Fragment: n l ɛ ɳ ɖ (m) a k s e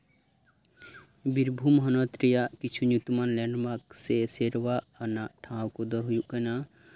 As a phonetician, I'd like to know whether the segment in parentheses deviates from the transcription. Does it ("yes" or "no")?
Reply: no